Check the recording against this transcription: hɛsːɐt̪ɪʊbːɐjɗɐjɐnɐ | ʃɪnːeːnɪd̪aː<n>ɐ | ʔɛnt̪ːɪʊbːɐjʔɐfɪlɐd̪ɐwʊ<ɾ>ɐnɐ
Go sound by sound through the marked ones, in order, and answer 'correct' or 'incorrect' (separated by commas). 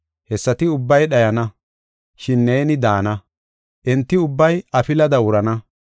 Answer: correct, correct